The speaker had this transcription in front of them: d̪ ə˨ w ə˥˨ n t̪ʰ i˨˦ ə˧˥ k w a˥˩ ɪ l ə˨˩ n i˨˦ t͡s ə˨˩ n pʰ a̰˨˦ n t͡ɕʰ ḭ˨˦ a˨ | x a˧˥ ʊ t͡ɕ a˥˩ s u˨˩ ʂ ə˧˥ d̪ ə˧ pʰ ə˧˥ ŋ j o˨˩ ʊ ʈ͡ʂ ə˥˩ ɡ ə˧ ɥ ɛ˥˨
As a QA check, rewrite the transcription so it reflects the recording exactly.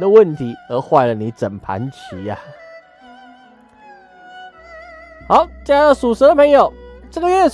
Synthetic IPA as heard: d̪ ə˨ w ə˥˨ n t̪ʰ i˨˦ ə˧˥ x w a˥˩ ɪ l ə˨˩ n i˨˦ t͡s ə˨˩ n pʰ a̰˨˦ n t͡ɕʰ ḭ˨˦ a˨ | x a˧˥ ʊ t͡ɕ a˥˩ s u˨˩ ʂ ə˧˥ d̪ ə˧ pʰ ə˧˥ ŋ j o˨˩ ʊ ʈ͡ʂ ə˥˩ ɡ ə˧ ɥ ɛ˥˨

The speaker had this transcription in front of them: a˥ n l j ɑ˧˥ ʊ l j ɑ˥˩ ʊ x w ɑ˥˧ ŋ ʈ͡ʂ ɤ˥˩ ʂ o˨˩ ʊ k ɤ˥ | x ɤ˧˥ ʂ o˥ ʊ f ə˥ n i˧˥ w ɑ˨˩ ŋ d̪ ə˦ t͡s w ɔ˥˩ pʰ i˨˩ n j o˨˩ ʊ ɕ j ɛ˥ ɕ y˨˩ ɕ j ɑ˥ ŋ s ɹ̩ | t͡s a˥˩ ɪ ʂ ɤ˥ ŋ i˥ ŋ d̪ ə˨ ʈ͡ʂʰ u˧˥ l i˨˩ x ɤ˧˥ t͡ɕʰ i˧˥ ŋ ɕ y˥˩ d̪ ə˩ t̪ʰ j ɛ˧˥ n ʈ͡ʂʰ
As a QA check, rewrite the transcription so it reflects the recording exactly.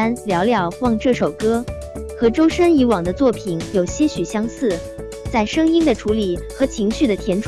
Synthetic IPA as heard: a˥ n l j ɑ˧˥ ʊ l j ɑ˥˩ ʊ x w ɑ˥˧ ŋ ʈ͡ʂ ɤ˥˩ ʂ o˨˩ ʊ k ɤ˥ | x ɤ˧˥ ʈ͡ʂ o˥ ʊ ʂ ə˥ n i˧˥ w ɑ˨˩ ŋ d̪ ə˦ t͡s w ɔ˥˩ pʰ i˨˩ n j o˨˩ ʊ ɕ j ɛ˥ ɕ y˨˩ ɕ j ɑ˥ ŋ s ɹ̩ | t͡s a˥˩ ɪ ʂ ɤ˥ ŋ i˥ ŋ d̪ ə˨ ʈ͡ʂʰ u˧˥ l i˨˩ x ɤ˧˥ t͡ɕʰ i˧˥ ŋ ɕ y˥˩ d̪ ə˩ t̪ʰ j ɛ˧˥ n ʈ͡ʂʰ

